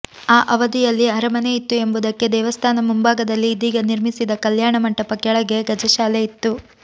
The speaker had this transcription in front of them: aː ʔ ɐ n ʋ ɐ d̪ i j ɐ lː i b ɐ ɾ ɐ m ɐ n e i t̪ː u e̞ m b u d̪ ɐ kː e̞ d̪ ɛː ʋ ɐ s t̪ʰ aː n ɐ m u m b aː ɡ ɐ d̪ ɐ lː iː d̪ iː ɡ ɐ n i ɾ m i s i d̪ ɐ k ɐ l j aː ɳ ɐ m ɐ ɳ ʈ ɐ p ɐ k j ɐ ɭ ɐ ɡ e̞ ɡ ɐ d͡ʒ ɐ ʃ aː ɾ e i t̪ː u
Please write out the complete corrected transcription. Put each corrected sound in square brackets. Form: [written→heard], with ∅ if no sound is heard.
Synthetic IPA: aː ʔ ɐ [n→∅] ʋ ɐ d̪ i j ɐ lː i [b→∅] ɐ ɾ ɐ m ɐ n e i t̪ː u e̞ m b u d̪ ɐ kː e̞ d̪ ɛː ʋ ɐ s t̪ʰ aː n ɐ m u m b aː ɡ ɐ d̪ ɐ lː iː d̪ iː ɡ ɐ n i ɾ m i s i d̪ ɐ k ɐ l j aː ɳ ɐ m ɐ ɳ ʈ ɐ p ɐ k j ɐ ɭ ɐ ɡ e̞ ɡ ɐ d͡ʒ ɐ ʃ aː [ɾ→l] e i t̪ː u